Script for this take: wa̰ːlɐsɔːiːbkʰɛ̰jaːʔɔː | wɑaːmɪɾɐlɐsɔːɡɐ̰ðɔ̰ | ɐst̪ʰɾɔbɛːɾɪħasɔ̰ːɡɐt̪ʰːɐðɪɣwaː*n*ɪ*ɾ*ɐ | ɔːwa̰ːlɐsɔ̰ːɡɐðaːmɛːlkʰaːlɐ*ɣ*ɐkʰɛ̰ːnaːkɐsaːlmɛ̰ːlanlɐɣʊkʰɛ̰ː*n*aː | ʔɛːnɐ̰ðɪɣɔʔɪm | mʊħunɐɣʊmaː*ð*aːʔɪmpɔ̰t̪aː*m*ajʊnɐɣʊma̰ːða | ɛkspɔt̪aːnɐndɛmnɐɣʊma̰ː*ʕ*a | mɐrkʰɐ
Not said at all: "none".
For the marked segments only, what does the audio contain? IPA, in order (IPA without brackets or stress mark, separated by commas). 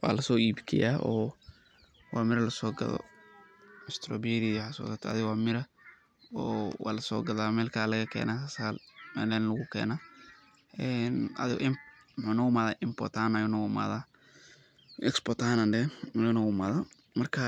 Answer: m, ɾ, ɣ, n, ð, n, ð